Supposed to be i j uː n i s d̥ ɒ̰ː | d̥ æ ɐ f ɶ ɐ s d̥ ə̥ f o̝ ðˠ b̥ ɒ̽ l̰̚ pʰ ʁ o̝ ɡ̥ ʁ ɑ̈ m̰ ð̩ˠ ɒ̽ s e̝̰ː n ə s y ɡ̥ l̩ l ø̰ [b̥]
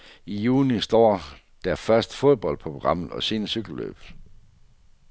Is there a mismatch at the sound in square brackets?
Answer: no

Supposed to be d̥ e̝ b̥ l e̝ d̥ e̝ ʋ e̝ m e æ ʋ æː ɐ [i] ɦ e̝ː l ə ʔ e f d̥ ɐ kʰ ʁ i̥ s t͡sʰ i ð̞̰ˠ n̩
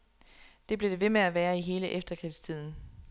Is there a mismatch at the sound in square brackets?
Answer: no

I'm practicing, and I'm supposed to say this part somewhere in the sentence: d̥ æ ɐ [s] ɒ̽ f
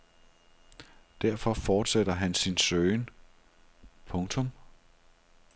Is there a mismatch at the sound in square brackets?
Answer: yes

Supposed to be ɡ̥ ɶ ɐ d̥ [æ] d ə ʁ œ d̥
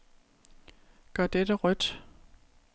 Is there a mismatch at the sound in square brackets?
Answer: yes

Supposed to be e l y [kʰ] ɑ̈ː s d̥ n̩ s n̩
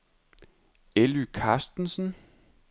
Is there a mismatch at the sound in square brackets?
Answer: no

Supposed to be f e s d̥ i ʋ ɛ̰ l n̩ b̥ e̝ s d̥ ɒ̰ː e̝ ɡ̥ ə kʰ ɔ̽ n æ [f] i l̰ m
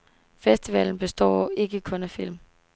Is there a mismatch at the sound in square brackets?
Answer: no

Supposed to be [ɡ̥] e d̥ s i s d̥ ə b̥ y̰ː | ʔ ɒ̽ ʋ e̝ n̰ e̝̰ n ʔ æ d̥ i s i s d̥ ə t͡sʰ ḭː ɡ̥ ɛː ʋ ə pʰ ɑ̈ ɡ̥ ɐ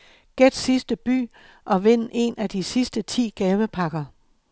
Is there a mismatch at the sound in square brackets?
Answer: no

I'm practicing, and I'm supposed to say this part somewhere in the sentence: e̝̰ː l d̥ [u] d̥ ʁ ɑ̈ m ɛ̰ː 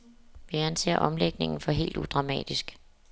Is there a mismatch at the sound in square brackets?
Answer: no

